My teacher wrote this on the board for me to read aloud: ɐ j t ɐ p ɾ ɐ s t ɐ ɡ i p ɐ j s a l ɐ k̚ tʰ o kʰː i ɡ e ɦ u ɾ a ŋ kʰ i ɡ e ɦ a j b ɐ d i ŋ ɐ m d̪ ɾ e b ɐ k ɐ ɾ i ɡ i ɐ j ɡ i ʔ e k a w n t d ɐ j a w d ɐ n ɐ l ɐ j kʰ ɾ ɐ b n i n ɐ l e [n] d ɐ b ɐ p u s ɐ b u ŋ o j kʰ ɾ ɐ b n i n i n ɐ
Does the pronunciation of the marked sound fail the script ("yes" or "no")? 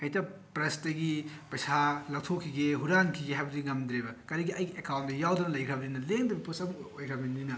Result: yes